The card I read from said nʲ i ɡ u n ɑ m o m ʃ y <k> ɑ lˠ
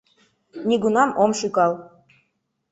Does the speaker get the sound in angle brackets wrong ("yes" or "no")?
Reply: no